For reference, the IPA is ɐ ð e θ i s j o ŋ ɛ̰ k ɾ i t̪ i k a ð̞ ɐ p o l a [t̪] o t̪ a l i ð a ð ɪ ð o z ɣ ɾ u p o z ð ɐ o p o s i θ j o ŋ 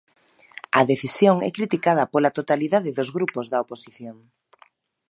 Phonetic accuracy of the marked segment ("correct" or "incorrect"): correct